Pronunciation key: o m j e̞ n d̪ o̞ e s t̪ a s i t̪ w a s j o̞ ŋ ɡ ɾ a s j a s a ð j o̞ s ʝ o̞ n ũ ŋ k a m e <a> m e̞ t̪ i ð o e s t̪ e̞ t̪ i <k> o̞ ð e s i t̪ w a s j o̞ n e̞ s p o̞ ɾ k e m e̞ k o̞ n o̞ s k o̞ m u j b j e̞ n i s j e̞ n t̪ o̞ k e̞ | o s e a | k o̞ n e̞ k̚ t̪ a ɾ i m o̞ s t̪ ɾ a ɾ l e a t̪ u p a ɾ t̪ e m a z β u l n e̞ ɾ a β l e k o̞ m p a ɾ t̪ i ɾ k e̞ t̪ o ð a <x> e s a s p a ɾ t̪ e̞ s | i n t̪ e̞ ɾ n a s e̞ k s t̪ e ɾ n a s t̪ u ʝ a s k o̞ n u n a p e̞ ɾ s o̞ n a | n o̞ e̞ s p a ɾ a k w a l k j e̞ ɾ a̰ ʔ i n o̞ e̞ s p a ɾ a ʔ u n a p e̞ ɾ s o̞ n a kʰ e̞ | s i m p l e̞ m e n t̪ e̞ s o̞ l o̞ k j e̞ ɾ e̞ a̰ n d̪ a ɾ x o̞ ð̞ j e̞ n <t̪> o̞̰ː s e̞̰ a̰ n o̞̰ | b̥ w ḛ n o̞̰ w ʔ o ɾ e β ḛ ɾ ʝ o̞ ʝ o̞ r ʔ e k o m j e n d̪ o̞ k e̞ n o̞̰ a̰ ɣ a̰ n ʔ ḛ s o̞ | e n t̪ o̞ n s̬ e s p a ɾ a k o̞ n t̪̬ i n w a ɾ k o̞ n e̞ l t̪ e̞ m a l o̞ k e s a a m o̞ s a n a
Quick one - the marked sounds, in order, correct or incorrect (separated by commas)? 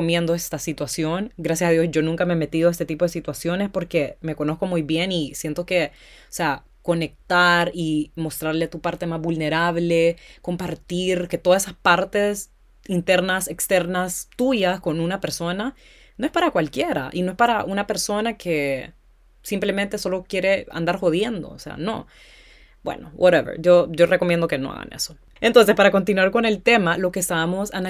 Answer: incorrect, incorrect, incorrect, incorrect